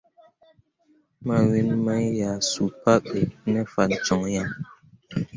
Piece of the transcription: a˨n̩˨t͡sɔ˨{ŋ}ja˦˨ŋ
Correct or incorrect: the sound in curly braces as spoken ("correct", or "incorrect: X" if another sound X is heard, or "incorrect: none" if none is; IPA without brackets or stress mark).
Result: correct